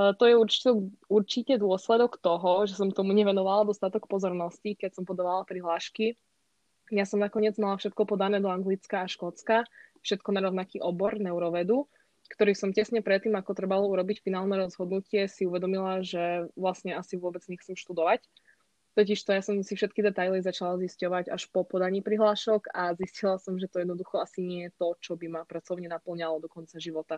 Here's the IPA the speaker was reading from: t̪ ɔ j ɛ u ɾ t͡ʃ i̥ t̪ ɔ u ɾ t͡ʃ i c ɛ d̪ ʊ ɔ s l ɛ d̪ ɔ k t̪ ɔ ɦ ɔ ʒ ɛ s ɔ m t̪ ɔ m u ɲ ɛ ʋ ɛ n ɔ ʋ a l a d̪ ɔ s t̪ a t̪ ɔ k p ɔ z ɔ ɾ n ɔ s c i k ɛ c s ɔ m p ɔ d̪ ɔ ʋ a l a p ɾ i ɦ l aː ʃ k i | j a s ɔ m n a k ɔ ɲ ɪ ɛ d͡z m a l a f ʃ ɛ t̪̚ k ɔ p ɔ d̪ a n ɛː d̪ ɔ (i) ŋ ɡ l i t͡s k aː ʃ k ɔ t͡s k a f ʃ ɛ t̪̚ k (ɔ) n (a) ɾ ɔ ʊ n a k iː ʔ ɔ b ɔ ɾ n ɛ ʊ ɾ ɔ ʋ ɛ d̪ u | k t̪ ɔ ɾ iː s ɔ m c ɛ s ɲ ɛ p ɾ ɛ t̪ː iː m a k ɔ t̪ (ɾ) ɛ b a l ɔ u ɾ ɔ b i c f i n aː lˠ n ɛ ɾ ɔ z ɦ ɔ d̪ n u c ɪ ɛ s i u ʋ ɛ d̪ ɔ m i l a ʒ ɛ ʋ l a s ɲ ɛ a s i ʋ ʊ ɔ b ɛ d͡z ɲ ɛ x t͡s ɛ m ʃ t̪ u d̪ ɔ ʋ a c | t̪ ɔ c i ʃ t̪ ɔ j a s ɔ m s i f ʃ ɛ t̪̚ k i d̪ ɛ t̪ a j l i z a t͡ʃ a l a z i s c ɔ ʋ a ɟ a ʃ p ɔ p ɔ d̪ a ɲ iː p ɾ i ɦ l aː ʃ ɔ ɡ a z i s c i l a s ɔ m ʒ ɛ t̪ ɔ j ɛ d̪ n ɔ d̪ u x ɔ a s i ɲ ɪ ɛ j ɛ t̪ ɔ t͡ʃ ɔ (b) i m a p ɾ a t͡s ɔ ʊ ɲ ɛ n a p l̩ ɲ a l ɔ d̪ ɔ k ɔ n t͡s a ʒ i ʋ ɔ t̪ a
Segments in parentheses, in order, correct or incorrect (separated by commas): incorrect, correct, correct, correct, correct